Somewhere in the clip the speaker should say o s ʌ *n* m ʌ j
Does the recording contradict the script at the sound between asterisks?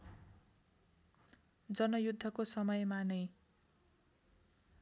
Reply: yes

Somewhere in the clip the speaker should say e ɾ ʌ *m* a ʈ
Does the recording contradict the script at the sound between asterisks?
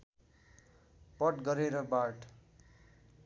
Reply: yes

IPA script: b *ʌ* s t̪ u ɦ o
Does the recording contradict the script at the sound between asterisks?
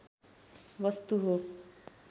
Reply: no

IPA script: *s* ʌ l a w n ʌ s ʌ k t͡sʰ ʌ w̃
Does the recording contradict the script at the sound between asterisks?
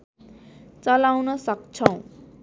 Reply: yes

